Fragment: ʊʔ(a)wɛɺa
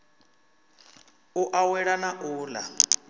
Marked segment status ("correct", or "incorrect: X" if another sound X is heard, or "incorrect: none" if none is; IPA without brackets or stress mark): correct